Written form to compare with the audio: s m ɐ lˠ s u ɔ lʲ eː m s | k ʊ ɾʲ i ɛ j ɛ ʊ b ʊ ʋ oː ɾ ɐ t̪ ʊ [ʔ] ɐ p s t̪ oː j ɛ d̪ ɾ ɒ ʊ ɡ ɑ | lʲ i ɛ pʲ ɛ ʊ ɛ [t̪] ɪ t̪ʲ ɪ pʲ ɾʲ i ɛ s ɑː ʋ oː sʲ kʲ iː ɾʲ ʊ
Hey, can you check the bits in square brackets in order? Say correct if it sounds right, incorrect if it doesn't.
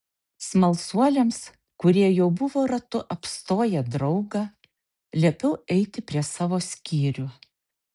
correct, incorrect

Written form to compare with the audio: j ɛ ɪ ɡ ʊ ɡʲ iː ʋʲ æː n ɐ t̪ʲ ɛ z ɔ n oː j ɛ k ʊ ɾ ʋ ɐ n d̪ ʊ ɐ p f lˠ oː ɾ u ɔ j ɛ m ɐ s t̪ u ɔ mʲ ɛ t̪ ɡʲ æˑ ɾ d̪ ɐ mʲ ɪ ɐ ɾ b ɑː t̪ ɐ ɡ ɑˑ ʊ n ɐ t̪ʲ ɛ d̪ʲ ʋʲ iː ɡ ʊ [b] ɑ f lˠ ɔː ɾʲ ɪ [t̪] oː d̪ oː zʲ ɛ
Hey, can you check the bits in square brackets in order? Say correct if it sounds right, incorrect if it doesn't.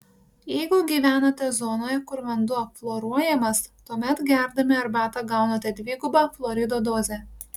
correct, incorrect

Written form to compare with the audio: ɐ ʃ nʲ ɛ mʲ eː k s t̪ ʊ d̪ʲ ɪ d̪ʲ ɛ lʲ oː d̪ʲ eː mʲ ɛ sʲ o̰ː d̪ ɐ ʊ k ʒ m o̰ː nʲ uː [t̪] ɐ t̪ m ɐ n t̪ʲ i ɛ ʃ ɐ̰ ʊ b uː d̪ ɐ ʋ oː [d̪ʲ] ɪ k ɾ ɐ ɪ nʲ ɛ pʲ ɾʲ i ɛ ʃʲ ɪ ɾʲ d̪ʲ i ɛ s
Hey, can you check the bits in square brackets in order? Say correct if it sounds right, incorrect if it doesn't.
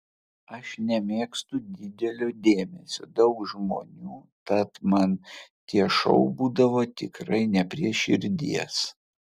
correct, incorrect

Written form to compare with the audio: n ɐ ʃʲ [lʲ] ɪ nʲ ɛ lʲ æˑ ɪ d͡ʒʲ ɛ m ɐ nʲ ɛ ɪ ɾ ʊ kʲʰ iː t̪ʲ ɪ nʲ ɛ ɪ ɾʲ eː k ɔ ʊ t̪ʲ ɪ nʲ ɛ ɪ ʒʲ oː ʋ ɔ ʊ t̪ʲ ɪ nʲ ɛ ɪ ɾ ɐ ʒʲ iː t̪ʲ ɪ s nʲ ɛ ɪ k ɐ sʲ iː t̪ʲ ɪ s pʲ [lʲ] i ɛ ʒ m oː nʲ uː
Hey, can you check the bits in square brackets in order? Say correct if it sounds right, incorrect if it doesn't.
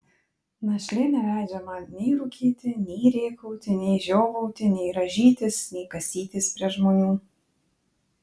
correct, incorrect

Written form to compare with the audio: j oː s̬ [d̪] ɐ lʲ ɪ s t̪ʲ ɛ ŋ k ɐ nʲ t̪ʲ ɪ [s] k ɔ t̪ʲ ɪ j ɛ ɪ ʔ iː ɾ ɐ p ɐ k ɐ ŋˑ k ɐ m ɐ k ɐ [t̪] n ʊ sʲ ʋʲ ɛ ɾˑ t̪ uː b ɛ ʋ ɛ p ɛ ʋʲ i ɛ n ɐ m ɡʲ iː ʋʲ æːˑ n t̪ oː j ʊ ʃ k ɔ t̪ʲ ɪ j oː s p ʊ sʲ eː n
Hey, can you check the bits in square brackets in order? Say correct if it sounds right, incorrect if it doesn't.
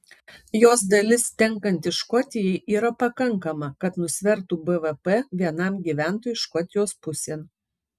correct, incorrect, correct

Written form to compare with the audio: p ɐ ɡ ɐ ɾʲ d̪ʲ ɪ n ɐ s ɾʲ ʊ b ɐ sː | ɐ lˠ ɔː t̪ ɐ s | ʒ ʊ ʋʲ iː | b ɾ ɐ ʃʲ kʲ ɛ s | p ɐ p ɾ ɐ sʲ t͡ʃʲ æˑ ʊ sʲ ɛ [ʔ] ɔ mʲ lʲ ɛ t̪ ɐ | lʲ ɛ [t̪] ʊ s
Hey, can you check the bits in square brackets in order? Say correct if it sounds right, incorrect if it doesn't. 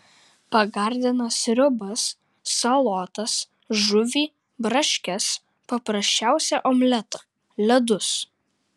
correct, incorrect

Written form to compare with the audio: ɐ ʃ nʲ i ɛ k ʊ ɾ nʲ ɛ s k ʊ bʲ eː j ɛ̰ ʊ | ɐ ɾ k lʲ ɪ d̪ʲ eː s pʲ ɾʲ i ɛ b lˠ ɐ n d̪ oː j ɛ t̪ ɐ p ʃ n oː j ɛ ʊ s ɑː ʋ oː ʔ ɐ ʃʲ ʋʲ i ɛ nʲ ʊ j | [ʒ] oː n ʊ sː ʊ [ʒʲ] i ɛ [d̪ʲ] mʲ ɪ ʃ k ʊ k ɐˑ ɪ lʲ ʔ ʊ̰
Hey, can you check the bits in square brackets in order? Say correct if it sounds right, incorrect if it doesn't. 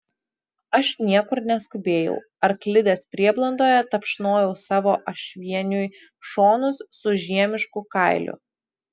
incorrect, correct, incorrect

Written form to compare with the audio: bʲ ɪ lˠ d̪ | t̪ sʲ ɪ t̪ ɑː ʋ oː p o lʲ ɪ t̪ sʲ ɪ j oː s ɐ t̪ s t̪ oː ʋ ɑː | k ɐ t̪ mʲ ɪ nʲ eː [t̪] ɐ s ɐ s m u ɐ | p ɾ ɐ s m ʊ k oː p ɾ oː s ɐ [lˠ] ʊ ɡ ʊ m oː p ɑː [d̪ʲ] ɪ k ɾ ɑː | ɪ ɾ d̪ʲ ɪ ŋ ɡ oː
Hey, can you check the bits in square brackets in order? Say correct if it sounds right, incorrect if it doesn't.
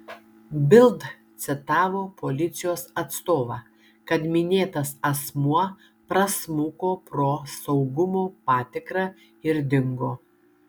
correct, incorrect, incorrect

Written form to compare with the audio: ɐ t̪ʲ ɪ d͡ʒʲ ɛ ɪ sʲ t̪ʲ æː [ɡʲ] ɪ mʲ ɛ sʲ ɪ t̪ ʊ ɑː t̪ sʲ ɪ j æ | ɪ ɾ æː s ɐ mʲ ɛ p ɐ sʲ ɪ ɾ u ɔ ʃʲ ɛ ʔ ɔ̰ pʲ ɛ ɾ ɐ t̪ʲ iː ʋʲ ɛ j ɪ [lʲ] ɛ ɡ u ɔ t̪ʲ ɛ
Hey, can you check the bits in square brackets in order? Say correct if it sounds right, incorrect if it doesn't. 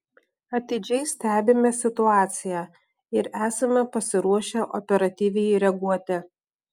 incorrect, incorrect

